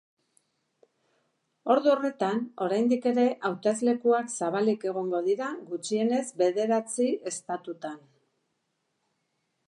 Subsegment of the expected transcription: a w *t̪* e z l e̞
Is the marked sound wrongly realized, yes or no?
no